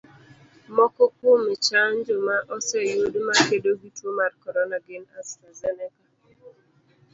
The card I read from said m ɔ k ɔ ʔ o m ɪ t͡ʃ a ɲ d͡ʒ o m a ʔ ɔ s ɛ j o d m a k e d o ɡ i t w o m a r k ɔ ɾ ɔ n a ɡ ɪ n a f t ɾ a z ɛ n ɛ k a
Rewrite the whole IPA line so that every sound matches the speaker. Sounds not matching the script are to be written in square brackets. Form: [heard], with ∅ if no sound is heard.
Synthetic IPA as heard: m ɔ k ɔ [k] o m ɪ t͡ʃ a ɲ d͡ʒ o m a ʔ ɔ s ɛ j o d m a k e d o ɡ i t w o m a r k ɔ ɾ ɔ n a ɡ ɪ n a [s] t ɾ a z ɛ n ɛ k a